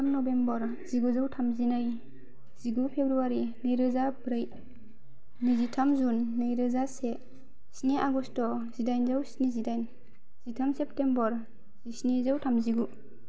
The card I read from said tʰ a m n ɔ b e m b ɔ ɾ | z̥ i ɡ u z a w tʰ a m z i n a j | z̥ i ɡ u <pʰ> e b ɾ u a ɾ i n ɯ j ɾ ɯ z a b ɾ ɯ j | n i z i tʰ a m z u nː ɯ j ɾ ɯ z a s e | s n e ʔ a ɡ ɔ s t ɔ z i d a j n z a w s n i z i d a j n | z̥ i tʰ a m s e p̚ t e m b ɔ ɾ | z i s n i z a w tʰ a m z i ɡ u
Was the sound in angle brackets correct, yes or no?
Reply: yes